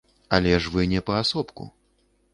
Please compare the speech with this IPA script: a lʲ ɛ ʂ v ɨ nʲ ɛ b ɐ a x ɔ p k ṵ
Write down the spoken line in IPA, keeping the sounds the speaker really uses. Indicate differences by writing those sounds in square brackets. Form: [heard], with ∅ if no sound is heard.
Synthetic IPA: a lʲ ɛ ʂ v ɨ nʲ ɛ [p] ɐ a [s] ɔ p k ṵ